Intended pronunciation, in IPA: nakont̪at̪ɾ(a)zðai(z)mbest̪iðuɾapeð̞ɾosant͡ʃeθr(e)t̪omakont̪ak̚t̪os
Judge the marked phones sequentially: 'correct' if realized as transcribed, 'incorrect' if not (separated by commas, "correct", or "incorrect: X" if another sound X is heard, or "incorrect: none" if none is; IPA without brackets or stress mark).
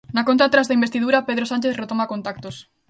correct, incorrect: none, correct